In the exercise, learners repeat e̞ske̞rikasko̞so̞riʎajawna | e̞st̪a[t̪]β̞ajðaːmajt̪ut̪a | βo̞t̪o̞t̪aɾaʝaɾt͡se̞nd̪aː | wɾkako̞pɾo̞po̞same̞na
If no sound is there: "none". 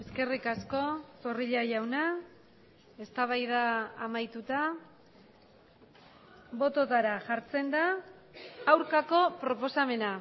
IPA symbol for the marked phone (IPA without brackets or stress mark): none